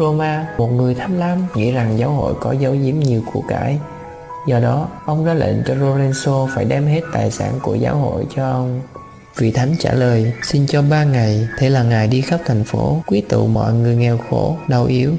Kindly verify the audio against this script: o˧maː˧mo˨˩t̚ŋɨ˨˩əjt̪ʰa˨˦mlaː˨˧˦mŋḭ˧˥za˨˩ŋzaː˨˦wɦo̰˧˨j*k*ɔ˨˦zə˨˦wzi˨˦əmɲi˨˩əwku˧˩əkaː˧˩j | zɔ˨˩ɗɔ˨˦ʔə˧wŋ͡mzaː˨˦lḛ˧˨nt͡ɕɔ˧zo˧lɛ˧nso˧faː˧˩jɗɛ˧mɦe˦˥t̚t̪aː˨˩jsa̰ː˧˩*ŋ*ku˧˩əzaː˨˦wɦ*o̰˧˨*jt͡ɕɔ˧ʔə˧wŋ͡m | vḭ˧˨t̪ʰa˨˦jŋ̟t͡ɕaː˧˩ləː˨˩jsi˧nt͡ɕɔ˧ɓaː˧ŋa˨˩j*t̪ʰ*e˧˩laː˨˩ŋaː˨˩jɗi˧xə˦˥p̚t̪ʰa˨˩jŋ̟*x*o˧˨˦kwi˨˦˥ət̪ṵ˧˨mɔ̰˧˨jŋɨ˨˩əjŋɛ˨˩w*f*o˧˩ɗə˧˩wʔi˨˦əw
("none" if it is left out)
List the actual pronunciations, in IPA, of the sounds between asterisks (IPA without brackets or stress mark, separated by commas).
k, n, o̰˧˨, t̪ʰ, f, x